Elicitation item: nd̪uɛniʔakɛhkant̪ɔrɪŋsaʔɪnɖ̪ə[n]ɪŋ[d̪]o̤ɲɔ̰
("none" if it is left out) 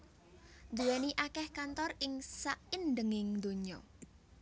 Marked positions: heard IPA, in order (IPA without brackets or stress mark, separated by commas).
ŋ, d̪